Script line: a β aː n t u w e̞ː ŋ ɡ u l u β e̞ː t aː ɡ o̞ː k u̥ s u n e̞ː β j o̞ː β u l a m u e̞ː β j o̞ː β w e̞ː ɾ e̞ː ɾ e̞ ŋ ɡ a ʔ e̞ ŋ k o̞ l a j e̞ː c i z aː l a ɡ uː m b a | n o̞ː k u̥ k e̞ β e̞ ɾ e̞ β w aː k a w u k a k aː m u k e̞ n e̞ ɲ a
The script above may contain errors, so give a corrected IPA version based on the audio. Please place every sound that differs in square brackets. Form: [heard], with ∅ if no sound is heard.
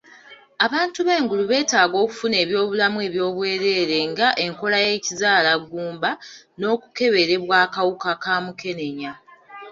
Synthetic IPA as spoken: a β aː n t u [β] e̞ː ŋ ɡ u l u β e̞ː t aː ɡ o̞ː k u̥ [f] u n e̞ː β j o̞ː β u l a m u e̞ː β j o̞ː β w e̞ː ɾ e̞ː ɾ e̞ ŋ ɡ a ʔ e̞ ŋ k o̞ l a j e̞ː c i z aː l a ɡ uː m b a | n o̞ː k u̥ k e̞ β e̞ ɾ e̞ β w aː k a w u k a k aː m u k e̞ n e̞ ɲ a